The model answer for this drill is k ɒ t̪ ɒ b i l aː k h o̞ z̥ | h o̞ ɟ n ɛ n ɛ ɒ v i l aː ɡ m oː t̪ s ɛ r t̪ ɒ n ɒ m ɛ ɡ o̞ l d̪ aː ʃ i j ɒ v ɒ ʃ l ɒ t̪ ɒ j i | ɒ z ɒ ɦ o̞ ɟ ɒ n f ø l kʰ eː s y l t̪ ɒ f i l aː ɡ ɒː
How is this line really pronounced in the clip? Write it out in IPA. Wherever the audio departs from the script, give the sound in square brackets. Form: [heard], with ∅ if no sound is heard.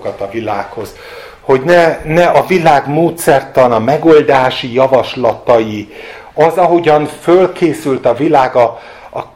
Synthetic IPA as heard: k ɒ t̪ ɒ [v] i l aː k h o̞ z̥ | h o̞ ɟ n ɛ n ɛ ɒ v i l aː ɡ m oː t̪ s ɛ r t̪ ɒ n ɒ m ɛ ɡ o̞ l d̪ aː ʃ i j ɒ v ɒ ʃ l ɒ t̪ ɒ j i | ɒ z ɒ ɦ o̞ ɟ ɒ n f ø l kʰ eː s y l t̪ ɒ [v] i l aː ɡ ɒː